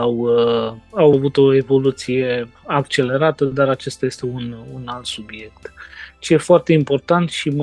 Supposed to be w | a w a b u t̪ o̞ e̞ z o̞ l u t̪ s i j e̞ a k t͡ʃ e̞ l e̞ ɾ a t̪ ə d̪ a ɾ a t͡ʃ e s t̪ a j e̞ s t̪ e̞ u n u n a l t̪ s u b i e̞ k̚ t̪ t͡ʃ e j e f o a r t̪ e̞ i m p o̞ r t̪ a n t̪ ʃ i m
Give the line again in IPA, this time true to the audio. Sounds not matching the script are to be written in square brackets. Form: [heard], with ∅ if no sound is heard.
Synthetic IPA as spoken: w | a w a [v] u t̪ o̞ e̞ [v] o̞ l u t̪ s i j e̞ a k t͡ʃ e̞ l e̞ ɾ a t̪ ə d̪ a ɾ a t͡ʃ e s t̪ a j e̞ s t̪ e̞ u n u n a l t̪ s u b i e̞ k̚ t̪ t͡ʃ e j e f o a r t̪ e̞ i m p o̞ r t̪ a n t̪ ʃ i m